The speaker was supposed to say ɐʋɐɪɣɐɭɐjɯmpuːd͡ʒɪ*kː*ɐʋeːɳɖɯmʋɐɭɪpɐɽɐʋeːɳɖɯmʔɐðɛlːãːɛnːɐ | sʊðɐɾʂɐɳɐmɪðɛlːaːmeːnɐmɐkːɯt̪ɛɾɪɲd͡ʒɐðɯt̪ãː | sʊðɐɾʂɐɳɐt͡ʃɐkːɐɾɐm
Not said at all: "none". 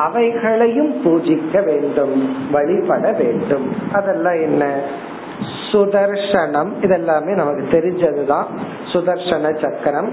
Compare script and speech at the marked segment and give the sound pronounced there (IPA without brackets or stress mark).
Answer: kː